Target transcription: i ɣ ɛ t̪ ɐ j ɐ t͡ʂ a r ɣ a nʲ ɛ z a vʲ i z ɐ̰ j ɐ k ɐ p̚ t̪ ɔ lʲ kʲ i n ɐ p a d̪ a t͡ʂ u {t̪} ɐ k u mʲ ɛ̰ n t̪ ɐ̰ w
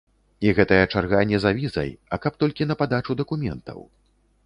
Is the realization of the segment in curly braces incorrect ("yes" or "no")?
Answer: yes